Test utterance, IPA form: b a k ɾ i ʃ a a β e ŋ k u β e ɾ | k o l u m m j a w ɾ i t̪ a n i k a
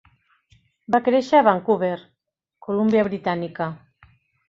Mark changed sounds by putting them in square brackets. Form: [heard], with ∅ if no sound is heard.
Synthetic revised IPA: b a k ɾ [e] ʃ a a β [a] ŋ k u β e ɾ | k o l u m [b] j a [β] ɾ i t̪ a n i k a